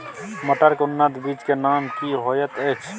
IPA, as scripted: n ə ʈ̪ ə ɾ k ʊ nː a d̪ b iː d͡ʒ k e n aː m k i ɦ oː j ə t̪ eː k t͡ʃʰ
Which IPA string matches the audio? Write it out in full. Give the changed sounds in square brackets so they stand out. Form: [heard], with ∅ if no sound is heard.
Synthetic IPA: [m] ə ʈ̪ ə ɾ k ʊ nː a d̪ b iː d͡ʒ k e n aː m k i ɦ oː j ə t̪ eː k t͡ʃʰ